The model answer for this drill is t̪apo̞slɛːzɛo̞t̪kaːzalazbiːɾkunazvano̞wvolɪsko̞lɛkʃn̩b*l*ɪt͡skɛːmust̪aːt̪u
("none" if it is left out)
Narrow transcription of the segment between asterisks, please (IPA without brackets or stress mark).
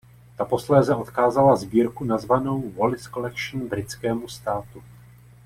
ɾ